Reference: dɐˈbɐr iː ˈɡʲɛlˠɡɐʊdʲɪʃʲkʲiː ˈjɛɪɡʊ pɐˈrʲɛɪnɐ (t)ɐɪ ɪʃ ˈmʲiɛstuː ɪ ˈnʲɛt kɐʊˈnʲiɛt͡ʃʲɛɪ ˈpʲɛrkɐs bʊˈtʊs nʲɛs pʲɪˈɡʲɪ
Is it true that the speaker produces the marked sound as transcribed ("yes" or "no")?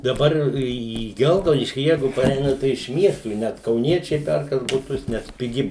yes